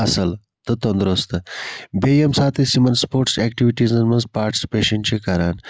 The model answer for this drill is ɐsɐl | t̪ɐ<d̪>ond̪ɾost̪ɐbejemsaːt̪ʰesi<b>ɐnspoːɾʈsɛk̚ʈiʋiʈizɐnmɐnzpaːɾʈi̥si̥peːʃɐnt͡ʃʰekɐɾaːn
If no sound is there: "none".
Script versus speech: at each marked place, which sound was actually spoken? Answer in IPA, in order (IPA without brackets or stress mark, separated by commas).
t̪, m